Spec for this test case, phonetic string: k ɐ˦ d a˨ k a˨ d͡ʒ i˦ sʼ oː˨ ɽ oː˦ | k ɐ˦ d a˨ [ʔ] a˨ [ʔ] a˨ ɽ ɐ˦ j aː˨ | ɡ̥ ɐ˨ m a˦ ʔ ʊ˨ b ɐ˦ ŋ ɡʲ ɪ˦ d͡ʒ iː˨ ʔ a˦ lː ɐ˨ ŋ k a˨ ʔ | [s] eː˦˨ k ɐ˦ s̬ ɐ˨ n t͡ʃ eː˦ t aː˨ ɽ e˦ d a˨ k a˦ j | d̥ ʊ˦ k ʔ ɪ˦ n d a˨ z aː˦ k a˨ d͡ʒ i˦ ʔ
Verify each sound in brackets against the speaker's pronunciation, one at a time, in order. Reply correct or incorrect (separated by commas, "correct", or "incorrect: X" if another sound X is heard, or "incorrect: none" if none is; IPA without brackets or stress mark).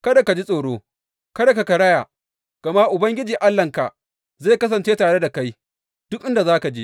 incorrect: k, incorrect: k, incorrect: z